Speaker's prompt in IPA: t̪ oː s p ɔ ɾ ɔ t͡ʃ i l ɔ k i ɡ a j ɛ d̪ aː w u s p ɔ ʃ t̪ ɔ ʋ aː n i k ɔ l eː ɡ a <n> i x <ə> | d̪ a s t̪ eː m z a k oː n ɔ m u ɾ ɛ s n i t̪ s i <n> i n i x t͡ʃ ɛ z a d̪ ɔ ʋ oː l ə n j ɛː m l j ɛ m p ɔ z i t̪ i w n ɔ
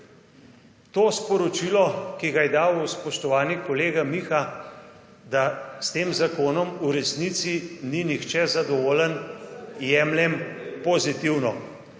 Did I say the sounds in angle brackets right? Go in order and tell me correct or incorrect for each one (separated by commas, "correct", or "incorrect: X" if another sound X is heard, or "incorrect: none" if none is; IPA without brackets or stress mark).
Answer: incorrect: m, incorrect: a, correct